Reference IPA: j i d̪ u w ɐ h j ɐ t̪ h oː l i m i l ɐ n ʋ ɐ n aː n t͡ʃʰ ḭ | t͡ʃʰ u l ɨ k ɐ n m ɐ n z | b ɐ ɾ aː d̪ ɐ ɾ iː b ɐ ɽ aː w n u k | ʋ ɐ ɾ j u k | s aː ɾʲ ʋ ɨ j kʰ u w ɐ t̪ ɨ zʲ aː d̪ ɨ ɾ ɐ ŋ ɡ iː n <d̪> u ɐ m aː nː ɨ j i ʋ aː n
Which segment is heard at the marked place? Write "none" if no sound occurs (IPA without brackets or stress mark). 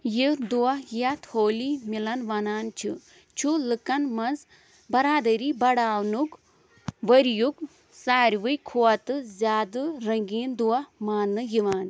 d̪